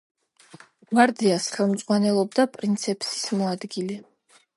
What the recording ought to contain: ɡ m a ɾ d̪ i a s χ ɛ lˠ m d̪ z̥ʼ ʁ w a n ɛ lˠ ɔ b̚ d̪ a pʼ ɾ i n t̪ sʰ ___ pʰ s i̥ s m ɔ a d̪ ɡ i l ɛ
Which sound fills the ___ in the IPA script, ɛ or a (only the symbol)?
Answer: ɛ